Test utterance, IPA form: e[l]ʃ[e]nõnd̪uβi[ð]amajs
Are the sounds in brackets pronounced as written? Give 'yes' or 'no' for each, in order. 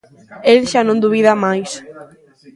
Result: yes, no, yes

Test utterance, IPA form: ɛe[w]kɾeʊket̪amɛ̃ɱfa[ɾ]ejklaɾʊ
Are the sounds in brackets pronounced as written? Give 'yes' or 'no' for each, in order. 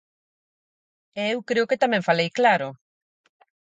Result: yes, no

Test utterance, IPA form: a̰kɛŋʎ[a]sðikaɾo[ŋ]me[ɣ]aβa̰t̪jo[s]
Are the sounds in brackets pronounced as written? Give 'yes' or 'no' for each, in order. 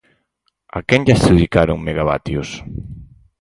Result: yes, yes, yes, yes

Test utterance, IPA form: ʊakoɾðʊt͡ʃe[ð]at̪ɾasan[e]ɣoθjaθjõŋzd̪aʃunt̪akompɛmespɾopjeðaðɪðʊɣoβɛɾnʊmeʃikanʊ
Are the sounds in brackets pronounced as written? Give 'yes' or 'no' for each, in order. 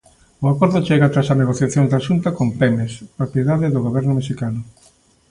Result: no, yes

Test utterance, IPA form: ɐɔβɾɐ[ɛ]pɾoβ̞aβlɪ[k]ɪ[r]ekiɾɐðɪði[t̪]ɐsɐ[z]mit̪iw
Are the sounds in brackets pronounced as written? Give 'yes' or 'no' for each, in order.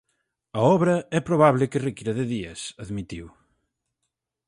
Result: yes, yes, yes, no, no

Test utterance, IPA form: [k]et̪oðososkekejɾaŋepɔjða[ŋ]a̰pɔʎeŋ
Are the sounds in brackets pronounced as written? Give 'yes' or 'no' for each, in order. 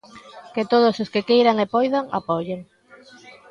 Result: yes, yes

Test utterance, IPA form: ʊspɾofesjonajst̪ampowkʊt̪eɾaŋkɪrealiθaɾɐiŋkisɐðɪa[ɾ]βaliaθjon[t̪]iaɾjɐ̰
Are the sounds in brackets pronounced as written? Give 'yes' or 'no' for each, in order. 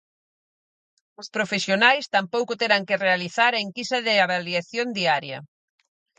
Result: no, no

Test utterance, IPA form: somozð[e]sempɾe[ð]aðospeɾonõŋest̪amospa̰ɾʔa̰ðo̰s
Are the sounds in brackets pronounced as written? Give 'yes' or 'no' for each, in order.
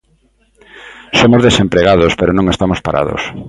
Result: yes, no

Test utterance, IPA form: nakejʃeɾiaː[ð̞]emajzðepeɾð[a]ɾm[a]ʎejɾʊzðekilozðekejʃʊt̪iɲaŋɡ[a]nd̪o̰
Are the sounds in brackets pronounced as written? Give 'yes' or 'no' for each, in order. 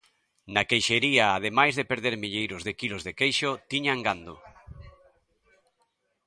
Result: yes, no, no, yes

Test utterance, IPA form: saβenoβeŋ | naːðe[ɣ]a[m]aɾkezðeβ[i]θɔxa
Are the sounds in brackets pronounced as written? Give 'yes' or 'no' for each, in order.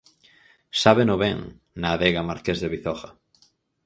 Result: yes, yes, yes

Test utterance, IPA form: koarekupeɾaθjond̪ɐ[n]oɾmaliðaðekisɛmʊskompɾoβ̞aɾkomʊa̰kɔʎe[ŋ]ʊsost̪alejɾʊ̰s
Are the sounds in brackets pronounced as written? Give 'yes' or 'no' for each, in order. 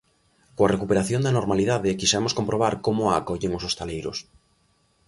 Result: yes, yes

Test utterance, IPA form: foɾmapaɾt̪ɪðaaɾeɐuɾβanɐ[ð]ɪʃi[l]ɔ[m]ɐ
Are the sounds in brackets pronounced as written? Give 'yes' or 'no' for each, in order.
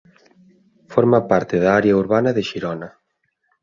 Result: yes, no, no

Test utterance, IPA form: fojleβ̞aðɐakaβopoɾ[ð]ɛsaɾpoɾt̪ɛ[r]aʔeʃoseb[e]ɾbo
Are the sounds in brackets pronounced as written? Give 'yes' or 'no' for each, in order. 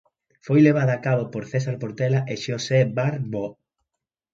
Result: no, no, no

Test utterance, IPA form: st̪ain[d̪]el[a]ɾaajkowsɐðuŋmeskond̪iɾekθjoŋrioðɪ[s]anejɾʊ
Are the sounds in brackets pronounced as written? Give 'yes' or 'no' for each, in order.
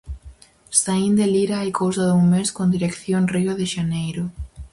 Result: yes, no, no

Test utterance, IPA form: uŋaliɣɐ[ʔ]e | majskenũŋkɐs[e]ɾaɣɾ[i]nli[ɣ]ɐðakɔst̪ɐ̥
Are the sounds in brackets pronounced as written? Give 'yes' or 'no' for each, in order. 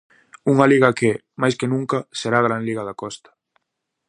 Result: no, yes, no, yes

